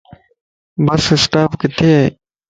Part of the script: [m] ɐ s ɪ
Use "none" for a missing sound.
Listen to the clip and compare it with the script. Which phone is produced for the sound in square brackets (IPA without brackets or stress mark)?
b